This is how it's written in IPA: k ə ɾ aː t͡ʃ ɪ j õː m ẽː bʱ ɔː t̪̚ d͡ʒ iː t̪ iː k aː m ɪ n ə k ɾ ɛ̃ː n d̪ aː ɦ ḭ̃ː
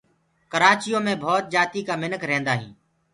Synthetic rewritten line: k ə ɾ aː t͡ʃ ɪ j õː m ẽː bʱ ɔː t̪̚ d͡ʒ aː t̪ iː k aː m ɪ n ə k ɾ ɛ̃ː n d̪ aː ɦ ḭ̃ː